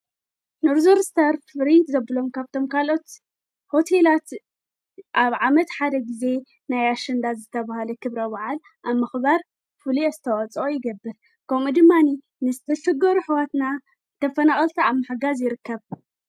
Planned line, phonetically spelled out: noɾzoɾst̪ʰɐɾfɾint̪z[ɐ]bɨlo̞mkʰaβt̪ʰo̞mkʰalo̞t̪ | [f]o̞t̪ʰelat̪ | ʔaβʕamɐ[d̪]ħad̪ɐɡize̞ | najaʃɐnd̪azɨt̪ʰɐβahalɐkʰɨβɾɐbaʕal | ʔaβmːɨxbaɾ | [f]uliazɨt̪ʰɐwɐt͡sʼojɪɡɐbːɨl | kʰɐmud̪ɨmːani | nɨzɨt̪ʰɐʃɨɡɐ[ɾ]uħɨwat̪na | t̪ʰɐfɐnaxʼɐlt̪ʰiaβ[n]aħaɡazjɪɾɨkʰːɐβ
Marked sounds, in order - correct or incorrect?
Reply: correct, incorrect, incorrect, correct, correct, incorrect

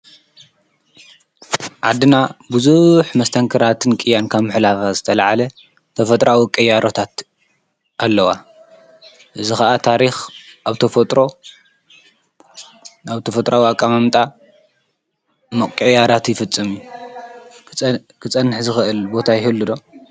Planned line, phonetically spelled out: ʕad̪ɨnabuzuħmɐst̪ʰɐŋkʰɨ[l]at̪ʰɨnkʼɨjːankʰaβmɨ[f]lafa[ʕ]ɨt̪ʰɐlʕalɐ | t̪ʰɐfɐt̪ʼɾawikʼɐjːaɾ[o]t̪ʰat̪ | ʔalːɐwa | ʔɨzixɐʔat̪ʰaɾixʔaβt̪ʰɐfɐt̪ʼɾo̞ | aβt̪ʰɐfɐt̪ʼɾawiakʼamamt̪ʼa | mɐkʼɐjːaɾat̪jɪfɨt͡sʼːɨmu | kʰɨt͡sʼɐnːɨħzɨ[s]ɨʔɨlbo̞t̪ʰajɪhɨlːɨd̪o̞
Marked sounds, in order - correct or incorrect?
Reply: incorrect, incorrect, incorrect, correct, incorrect

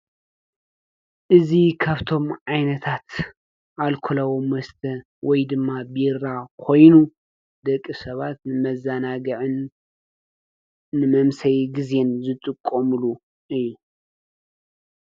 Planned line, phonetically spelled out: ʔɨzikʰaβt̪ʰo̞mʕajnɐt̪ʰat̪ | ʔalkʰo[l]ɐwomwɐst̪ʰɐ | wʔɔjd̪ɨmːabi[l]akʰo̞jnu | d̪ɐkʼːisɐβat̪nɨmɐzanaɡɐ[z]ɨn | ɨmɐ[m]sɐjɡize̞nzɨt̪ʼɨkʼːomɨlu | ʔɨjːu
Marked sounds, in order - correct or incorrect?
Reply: correct, incorrect, incorrect, correct

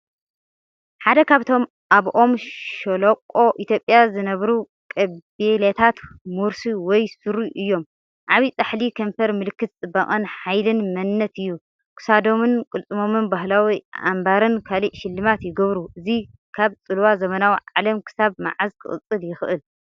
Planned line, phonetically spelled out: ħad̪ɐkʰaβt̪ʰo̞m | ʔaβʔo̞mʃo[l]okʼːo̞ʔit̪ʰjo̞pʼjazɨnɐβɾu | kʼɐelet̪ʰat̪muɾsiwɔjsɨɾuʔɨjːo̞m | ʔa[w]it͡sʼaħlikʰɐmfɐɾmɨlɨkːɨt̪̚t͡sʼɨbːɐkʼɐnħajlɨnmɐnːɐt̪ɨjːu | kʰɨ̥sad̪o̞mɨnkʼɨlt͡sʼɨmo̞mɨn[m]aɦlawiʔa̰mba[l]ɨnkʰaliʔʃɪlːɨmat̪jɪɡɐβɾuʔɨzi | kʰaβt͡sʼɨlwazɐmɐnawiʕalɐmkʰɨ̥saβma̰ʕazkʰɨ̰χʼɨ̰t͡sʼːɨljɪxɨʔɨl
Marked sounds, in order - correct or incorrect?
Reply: correct, incorrect, incorrect, incorrect

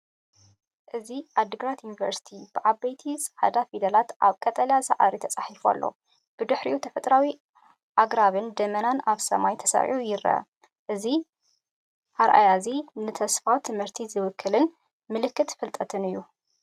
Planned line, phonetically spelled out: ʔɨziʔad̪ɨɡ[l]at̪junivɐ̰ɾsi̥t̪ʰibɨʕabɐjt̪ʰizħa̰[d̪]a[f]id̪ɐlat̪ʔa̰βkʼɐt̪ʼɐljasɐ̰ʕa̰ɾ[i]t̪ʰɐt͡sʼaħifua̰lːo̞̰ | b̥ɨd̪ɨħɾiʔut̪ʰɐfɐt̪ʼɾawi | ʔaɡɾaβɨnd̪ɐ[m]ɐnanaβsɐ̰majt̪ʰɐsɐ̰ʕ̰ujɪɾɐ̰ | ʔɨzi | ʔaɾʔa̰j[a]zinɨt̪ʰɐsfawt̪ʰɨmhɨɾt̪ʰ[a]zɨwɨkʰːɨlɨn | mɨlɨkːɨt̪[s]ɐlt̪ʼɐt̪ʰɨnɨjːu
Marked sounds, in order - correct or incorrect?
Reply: incorrect, correct, correct, correct, correct, correct, incorrect, incorrect

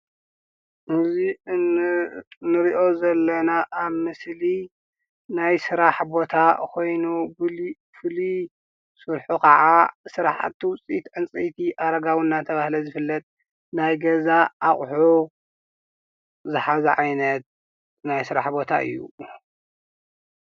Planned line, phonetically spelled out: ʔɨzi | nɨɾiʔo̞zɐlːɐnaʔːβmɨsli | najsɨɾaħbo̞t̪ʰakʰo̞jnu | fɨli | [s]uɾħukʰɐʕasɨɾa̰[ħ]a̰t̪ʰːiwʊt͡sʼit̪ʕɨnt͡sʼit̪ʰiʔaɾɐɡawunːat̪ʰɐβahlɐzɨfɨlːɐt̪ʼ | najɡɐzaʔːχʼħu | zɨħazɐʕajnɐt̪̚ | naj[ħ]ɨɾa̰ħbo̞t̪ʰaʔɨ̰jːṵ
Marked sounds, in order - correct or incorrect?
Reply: correct, correct, incorrect

